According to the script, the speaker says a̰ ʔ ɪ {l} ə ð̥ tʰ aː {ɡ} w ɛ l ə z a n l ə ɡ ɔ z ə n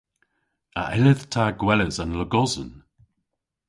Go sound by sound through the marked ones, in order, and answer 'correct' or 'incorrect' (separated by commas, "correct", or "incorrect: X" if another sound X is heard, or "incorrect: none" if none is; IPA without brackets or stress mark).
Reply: correct, correct